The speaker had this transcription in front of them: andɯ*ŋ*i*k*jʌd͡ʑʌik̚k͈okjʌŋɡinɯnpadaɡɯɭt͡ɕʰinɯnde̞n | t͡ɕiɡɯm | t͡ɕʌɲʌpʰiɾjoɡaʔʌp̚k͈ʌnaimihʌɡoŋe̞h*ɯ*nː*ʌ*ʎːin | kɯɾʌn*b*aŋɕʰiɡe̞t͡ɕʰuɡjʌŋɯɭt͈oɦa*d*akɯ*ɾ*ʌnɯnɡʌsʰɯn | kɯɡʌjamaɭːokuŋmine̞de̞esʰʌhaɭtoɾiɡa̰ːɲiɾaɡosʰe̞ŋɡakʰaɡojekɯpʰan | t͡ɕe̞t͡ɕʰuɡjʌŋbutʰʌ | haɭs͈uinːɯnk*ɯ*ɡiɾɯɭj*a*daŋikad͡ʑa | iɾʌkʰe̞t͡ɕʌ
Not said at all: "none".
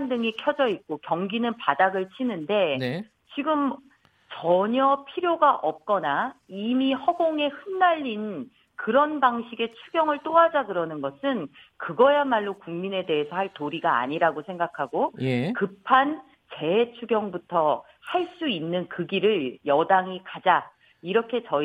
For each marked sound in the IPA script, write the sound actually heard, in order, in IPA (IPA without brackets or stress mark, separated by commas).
ŋ, kʰ, ɯ, a, b, d͡ʑ, ɾ, ɯ, ʌ